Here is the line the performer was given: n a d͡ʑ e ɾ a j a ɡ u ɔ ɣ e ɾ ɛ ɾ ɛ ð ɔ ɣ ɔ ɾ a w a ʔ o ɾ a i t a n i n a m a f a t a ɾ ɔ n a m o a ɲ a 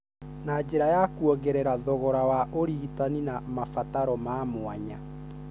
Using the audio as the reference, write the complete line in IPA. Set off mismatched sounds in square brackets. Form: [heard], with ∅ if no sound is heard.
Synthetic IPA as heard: n a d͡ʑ e ɾ a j a [k] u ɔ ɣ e ɾ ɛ ɾ [a] ð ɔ ɣ ɔ ɾ a w a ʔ o ɾ [i] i t a n i n a m a f a t a ɾ ɔ [m] a m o a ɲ a